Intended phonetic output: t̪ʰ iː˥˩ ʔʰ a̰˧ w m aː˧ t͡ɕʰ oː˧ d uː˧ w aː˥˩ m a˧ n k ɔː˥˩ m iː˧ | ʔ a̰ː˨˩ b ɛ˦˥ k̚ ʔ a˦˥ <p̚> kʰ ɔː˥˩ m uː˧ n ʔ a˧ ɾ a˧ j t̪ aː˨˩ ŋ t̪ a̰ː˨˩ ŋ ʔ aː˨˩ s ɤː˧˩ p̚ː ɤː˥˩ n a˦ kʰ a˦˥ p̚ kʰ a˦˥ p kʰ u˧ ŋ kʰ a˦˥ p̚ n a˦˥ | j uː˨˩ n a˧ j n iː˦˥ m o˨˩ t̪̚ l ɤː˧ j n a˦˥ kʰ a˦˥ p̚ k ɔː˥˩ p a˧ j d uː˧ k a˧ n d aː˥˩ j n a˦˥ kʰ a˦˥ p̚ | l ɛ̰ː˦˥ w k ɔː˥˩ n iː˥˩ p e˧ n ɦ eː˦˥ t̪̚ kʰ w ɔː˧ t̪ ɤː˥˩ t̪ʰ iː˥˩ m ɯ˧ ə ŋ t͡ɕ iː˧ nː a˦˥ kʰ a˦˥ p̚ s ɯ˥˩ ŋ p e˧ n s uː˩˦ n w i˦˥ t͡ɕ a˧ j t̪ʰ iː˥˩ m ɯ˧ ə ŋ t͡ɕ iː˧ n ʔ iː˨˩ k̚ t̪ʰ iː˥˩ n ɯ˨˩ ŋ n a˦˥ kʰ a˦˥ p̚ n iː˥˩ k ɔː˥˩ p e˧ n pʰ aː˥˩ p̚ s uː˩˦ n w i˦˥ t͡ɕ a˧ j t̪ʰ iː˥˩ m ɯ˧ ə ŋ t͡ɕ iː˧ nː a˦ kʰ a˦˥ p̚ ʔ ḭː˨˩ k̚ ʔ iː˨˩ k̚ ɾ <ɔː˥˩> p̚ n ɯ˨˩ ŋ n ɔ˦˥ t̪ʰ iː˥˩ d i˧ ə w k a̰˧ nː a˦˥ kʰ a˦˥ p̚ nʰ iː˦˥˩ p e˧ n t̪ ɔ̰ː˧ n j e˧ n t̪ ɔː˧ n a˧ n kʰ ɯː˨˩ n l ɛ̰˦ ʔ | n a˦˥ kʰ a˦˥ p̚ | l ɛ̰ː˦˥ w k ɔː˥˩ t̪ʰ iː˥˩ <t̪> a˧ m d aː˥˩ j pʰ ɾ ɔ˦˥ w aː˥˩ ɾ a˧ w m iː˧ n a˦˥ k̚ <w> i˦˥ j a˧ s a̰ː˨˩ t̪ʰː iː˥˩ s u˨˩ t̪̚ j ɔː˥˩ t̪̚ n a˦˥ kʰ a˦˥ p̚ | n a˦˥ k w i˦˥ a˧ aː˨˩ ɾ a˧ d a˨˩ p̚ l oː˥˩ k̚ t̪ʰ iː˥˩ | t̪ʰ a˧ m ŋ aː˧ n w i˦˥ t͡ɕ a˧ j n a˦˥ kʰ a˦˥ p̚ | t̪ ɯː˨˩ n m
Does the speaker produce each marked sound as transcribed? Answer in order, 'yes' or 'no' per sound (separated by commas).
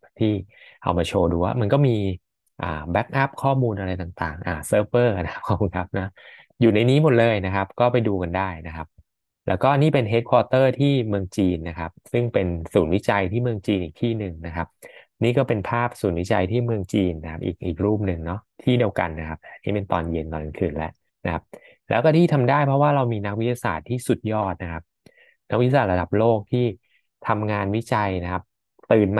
yes, no, no, yes